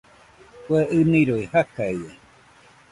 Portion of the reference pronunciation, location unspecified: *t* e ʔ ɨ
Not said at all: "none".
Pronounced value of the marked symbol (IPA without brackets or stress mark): k